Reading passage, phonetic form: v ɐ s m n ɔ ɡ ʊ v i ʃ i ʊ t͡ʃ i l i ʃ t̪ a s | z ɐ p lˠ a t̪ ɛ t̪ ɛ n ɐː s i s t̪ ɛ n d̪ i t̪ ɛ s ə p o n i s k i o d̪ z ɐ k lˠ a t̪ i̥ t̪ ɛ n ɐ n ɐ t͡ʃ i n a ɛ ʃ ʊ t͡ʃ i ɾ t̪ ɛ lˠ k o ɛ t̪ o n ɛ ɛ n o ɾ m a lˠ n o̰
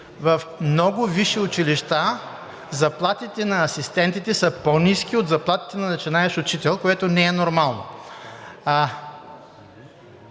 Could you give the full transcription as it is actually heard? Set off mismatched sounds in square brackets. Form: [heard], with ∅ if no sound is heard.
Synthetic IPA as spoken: v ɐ [f] m n ɔ ɡ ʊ v i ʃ i ʊ t͡ʃ i l i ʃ t̪ a [∅] | z ɐ p lˠ a t̪ [i] t̪ ɛ n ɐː s i s t̪ ɛ n [t̪] i t̪ ɛ s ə p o n i s k i o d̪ z ɐ [p] lˠ a t̪ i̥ t̪ ɛ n ɐ n ɐ t͡ʃ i n a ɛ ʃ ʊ t͡ʃ i [∅] t̪ ɛ lˠ k o ɛ t̪ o n ɛ ɛ n o ɾ m a lˠ n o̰

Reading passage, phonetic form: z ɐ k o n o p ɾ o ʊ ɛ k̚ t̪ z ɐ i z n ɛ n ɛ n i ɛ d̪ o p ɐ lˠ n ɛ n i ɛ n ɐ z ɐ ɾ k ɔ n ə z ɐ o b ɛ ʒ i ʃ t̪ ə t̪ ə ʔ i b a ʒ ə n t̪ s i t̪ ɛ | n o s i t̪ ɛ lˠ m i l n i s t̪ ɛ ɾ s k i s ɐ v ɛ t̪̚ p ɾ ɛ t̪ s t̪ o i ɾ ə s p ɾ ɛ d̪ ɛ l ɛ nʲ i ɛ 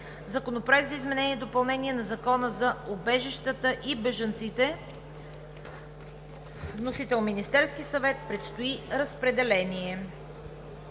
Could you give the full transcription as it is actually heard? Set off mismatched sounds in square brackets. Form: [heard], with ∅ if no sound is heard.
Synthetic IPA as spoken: z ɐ k o n o p ɾ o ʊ ɛ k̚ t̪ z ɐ i z [m] ɛ n ɛ n i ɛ d̪ o p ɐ lˠ n ɛ n i ɛ n ɐ z ɐ [∅] k ɔ n ə z ɐ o b ɛ ʒ i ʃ t̪ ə t̪ ə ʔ i b [ɛ] ʒ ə n t̪ s i t̪ ɛ | n o s i t̪ ɛ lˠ m i [∅] n i s t̪ ɛ ɾ s k i s ɐ v ɛ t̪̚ p ɾ ɛ t̪ s t̪ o i ɾ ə s p ɾ ɛ d̪ ɛ l ɛ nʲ i ɛ

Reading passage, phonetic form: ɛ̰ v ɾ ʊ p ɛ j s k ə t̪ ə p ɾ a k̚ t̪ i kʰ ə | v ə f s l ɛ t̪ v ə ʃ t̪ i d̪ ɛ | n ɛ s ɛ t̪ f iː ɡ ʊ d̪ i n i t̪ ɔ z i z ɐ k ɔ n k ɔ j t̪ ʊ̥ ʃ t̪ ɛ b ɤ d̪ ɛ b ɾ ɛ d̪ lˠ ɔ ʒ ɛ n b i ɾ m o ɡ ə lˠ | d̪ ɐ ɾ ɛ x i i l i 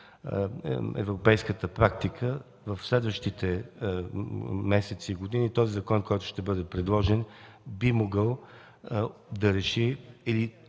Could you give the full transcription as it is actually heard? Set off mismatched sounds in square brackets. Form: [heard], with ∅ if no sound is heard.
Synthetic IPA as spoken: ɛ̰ v ɾ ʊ p ɛ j s k ə t̪ ə p ɾ a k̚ t̪ i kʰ ə | v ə f s l ɛ [d̪] v ə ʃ t̪ i [t̪] ɛ | [m] ɛ s ɛ t̪ [s] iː ɡ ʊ d̪ i n i t̪ ɔ z i z ɐ k ɔ n k ɔ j t̪ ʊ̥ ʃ t̪ ɛ b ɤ d̪ ɛ [p] ɾ ɛ d̪ lˠ ɔ ʒ ɛ n b i [∅] m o ɡ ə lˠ | d̪ ɐ ɾ ɛ [ʃ] i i l i

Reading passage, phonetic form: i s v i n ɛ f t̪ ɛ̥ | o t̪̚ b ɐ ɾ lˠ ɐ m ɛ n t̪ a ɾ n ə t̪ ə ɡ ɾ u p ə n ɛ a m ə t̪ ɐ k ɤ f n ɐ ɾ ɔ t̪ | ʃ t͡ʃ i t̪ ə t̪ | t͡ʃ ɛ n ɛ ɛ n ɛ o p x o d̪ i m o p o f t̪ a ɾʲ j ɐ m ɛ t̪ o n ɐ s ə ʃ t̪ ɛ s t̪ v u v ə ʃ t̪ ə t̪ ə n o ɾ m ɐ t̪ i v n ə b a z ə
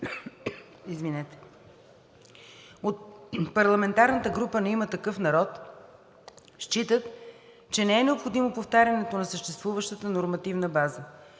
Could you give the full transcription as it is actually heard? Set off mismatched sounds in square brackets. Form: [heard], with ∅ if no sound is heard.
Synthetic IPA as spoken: i [z] v i n ɛ [∅] t̪ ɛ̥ | o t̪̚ [p] ɐ ɾ lˠ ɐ m ɛ n t̪ a ɾ n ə t̪ ə ɡ ɾ u p ə n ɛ [i] m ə t̪ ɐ k ɤ f n ɐ ɾ ɔ t̪ | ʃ t͡ʃ i t̪ ə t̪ | t͡ʃ ɛ n ɛ ɛ n ɛ o p x o d̪ i m o p o f t̪ a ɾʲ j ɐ [n] ɛ t̪ o n ɐ s ə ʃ t̪ ɛ s t̪ v u v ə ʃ t̪ ə t̪ ə n o ɾ m ɐ t̪ i v n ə b a z ə

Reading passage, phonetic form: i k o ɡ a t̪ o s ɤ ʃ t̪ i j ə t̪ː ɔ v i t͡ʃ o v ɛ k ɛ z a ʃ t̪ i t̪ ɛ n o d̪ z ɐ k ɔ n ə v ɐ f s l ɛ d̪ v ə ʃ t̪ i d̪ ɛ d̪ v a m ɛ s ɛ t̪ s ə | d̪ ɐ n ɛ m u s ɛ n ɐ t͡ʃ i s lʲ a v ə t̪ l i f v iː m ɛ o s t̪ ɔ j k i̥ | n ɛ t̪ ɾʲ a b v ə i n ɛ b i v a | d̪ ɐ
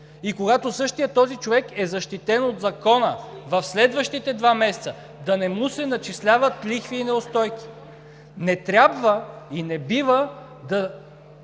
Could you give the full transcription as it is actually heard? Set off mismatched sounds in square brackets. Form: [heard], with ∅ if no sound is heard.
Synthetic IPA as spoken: i k o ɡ a t̪ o s ɤ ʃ t̪ i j ə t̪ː ɔ [z] i t͡ʃ o v ɛ k ɛ z [ɐ] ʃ t̪ i t̪ ɛ n o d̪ z ɐ k ɔ n ə v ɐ f s l ɛ d̪ v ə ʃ t̪ i [t̪] ɛ d̪ v a m ɛ s ɛ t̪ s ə | d̪ ɐ n ɛ m u s ɛ n ɐ t͡ʃ i s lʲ a v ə t̪ l i [x] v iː [n] ɛ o s t̪ ɔ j k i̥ | n ɛ t̪ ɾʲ a b v ə i n ɛ b i v [ə] | d̪ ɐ

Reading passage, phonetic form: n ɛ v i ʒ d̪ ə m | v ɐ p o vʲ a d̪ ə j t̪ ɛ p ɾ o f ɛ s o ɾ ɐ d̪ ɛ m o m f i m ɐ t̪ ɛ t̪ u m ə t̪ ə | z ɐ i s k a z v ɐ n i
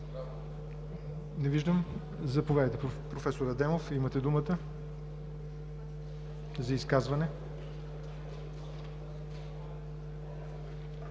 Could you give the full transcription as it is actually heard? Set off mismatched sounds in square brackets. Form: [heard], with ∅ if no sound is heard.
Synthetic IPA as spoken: n ɛ v i ʒ d̪ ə m | [z] ɐ p o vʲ a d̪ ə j t̪ ɛ p ɾ o f ɛ s o ɾ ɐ d̪ ɛ m o [∅] f i m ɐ t̪ ɛ [d̪] u m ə t̪ ə | z ɐ i s k a z v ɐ n [ɛ]

